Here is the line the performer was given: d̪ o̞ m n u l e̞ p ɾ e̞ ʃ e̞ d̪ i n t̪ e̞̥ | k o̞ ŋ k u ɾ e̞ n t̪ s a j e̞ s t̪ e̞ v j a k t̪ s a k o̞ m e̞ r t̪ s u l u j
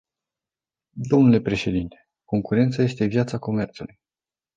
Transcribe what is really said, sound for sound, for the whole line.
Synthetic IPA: d̪ o̞ m n u l e̞ p ɾ e̞ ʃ e̞ d̪ i n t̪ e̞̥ | k o̞ ŋ k u ɾ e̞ n t̪ s a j e̞ s t̪ e̞ v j a t̪ s a k o̞ m e̞ r t̪ s u l u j